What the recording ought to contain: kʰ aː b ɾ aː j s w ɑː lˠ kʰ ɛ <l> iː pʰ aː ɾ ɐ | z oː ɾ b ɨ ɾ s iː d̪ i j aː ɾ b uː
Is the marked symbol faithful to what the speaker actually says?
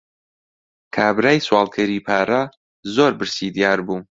no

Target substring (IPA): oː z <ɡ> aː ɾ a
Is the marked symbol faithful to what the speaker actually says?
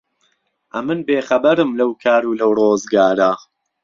yes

